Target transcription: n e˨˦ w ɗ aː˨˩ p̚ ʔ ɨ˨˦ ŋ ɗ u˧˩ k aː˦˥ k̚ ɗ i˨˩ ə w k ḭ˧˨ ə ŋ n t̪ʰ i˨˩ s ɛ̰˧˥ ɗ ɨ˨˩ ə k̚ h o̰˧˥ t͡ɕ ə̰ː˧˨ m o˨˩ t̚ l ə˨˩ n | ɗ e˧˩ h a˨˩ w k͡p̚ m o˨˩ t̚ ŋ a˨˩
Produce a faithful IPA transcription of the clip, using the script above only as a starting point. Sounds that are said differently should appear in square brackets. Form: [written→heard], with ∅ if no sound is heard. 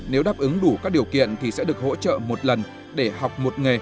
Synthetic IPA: n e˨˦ w ɗ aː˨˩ p̚ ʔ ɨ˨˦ ŋ ɗ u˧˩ k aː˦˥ k̚ ɗ i˨˩ ə w k ḭ˧˨ ə [ŋ→∅] n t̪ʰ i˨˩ s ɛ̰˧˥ ɗ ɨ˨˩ ə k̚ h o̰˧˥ t͡ɕ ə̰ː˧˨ m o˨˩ t̚ l ə˨˩ n | ɗ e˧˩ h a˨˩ w k͡p̚ m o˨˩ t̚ ŋ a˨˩